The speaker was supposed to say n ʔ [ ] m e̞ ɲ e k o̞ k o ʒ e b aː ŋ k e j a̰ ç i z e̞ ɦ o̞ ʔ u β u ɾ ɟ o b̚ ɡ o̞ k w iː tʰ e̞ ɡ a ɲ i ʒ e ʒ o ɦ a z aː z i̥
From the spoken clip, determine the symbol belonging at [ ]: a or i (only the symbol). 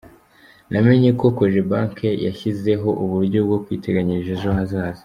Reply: a